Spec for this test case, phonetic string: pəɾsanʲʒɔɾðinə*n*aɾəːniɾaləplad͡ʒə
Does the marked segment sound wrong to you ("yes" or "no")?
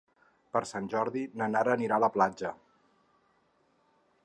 no